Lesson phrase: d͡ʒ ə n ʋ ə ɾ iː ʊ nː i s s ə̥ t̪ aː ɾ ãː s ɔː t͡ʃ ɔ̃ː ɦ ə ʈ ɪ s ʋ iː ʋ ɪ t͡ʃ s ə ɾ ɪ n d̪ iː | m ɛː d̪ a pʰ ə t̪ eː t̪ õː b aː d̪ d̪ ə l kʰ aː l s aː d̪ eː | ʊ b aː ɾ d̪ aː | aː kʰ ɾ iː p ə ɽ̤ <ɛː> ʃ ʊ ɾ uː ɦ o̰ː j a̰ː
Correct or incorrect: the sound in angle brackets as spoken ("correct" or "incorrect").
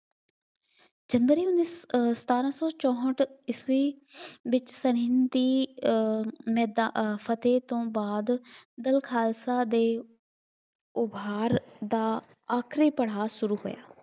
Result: incorrect